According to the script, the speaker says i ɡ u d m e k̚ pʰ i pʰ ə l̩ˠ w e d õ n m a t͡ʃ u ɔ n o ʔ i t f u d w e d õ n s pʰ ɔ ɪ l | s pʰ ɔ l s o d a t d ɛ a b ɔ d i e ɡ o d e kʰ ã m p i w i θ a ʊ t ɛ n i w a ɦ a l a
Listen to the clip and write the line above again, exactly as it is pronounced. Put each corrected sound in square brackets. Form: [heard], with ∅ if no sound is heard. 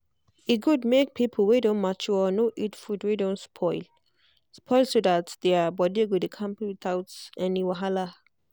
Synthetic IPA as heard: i ɡ u d m e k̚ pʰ i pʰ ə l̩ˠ w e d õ n m a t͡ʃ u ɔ n o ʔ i t f u d w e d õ n s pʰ ɔ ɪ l | s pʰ ɔ l s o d a t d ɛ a b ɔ d i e ɡ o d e kʰ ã m p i w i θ a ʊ t ɛ n i w a ɦ a l a